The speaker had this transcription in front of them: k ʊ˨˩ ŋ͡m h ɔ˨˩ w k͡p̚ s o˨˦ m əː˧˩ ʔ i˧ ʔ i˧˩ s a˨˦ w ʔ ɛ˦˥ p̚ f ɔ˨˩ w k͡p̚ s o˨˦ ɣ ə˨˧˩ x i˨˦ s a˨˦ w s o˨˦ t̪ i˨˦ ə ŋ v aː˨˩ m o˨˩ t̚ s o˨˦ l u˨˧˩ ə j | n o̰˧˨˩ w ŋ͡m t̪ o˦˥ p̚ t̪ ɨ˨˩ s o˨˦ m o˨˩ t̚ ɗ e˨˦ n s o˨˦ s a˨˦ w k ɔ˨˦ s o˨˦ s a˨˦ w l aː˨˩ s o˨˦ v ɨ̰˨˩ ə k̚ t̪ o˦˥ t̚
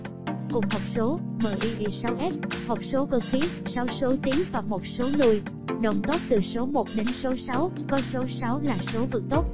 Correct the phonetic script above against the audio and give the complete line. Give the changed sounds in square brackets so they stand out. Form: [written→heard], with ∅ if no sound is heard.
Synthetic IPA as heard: k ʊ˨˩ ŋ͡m h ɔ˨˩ w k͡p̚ s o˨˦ m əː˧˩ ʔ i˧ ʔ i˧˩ s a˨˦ w ʔ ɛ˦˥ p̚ [f→h] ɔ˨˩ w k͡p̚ s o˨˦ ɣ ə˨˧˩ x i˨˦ s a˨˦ w s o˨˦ t̪ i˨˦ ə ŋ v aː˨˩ m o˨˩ t̚ s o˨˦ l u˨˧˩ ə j | n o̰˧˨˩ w ŋ͡m t̪ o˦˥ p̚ t̪ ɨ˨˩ s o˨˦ m o˨˩ t̚ ɗ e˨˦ n s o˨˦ s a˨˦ w k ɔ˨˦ s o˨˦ s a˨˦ w l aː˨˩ s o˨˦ v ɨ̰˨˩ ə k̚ t̪ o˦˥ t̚

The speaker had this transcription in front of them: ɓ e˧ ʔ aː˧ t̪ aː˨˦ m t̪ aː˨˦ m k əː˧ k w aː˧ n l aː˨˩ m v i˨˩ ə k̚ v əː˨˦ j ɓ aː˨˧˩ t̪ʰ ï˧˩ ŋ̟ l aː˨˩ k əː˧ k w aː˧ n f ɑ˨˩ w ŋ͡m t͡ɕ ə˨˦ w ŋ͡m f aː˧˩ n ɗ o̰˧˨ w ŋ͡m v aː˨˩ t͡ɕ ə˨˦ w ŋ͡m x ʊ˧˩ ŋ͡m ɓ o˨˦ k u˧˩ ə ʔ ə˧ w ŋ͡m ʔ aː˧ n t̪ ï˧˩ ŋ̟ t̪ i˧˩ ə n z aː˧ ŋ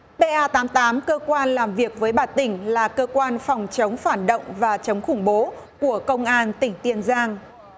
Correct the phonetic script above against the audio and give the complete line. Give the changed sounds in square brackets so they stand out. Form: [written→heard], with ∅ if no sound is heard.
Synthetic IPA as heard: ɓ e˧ ʔ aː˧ t̪ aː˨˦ m t̪ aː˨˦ m k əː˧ k w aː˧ n l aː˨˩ m v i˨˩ ə k̚ v əː˨˦ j ɓ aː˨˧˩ [t̪ʰ→t̪] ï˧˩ ŋ̟ l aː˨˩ k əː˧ k w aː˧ n f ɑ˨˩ w ŋ͡m t͡ɕ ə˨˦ w ŋ͡m f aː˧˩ n ɗ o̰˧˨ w ŋ͡m v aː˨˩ t͡ɕ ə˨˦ w ŋ͡m x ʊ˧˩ ŋ͡m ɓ o˨˦ k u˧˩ ə [ʔ→k] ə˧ w ŋ͡m ʔ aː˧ n t̪ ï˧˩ ŋ̟ t̪ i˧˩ ə n z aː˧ ŋ

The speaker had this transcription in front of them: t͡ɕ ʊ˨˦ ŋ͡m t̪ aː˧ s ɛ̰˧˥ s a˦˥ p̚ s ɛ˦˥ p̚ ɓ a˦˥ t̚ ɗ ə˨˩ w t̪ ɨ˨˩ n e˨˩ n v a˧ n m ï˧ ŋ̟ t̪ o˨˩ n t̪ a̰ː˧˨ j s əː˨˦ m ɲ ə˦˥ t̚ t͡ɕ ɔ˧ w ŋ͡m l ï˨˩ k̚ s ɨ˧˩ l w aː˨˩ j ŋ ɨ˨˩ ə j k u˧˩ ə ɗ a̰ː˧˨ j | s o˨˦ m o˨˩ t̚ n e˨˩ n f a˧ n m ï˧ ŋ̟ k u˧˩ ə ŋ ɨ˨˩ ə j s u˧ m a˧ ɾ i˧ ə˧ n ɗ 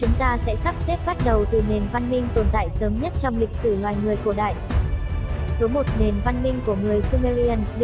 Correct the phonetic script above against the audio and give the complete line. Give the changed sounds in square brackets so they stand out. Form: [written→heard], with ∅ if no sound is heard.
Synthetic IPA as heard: t͡ɕ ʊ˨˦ ŋ͡m t̪ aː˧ s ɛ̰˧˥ s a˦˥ p̚ s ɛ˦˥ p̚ ɓ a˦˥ t̚ ɗ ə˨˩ w t̪ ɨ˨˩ n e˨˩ n v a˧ n m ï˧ ŋ̟ t̪ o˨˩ n t̪ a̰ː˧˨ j s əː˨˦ m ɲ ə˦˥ t̚ t͡ɕ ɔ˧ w ŋ͡m l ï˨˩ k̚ s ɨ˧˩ l w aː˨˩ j ŋ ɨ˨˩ ə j k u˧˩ ə ɗ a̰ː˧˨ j | s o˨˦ m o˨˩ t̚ n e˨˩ n [f→v] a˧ n m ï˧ ŋ̟ k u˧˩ ə ŋ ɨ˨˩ ə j s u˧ m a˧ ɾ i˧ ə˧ n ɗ

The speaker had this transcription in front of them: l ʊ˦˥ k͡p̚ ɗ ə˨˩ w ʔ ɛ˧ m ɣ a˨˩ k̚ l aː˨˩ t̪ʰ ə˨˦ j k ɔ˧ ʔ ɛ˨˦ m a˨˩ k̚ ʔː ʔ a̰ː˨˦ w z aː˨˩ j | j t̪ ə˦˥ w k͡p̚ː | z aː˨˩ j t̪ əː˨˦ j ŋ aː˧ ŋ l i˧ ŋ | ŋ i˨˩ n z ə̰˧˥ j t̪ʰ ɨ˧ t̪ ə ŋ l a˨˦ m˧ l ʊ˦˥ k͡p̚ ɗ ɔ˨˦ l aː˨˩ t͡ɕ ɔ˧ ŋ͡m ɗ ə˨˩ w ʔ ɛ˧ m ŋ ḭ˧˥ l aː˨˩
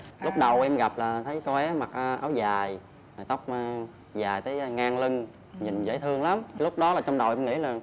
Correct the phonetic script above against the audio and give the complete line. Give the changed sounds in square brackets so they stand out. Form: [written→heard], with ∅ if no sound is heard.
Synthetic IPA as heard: l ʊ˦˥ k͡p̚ ɗ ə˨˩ w ʔ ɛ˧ m ɣ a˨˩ [k̚→p̚] l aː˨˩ t̪ʰ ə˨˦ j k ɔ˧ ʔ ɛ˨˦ m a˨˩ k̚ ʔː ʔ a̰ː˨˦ w z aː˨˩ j | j t̪ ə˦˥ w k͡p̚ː | z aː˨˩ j t̪ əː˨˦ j ŋ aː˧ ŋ l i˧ ŋ | [ŋ→ɲ] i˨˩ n z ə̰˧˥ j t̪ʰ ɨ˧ [t̪→∅] ə ŋ l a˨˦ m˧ l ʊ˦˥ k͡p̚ ɗ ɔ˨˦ l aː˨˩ t͡ɕ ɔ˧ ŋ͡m ɗ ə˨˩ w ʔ ɛ˧ m ŋ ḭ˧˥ l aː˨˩

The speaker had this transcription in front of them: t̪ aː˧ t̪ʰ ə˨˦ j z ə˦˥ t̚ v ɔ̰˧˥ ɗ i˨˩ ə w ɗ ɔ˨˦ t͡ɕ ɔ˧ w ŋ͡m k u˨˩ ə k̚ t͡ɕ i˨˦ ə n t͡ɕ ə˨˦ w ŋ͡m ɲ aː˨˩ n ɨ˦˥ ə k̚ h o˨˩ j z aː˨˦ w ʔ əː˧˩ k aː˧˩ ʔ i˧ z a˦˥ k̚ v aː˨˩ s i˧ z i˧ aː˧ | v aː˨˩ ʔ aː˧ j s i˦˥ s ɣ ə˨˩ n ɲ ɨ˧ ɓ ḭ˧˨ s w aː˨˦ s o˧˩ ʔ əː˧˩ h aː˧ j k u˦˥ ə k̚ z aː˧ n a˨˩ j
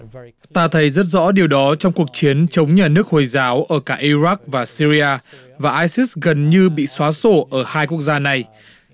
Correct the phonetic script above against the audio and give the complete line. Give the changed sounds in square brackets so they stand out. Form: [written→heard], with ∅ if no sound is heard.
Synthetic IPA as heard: t̪ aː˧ t̪ʰ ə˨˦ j z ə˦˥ t̚ [v→z] ɔ̰˧˥ ɗ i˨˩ ə w ɗ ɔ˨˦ t͡ɕ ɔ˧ w ŋ͡m k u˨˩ ə k̚ t͡ɕ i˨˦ ə n t͡ɕ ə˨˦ w ŋ͡m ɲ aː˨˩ n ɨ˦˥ ə k̚ h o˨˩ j z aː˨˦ w ʔ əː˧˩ k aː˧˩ ʔ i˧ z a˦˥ k̚ v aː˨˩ s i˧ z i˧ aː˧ | v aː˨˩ ʔ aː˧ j s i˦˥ s ɣ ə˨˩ n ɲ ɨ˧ ɓ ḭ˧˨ s w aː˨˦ s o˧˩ ʔ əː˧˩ h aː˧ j k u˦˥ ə k̚ z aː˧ n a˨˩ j

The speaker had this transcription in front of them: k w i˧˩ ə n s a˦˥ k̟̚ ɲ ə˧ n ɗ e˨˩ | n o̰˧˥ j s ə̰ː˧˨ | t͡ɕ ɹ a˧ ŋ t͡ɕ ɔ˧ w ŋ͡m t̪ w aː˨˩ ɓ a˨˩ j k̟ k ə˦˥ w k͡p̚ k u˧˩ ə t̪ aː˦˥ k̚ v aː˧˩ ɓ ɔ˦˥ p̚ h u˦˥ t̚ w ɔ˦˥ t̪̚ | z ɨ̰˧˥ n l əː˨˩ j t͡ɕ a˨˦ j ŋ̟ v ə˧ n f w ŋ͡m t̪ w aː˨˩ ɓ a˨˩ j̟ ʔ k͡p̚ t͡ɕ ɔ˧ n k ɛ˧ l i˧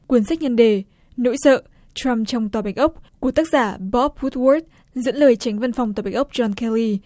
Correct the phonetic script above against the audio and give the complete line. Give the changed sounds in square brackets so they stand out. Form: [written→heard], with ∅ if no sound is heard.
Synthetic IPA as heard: k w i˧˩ ə n s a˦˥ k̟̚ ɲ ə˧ n ɗ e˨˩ | n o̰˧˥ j s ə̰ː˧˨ | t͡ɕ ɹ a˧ [ŋ→m] t͡ɕ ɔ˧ w ŋ͡m t̪ w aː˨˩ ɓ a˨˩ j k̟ [k→ʔ] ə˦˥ w k͡p̚ k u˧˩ ə t̪ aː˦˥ k̚ [v→z] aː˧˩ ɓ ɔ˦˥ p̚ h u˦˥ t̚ w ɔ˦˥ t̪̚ | z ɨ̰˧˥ n l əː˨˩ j t͡ɕ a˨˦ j ŋ̟ v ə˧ n f w ŋ͡m t̪ w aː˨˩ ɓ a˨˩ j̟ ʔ k͡p̚ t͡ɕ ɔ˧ n k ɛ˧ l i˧

